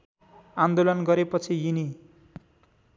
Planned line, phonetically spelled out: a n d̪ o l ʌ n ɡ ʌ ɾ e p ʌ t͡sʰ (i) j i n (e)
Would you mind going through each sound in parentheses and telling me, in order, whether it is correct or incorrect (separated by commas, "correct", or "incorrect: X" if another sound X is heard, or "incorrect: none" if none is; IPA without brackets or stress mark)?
correct, incorrect: i